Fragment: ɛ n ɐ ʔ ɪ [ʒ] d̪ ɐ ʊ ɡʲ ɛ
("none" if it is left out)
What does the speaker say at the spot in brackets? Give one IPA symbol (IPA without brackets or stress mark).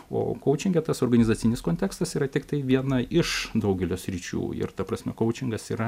ʃ